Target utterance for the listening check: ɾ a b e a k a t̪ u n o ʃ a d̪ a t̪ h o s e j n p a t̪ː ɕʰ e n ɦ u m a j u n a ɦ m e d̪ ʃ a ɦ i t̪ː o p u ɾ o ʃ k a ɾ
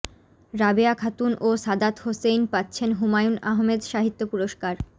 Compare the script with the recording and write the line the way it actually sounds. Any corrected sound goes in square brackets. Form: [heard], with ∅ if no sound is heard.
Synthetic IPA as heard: ɾ a b e a [kʰ] a t̪ u n o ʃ a d̪ a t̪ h o s e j n p a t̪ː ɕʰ e n ɦ u m a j u n a ɦ m e d̪ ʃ a ɦ i t̪ː o p u ɾ o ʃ k a ɾ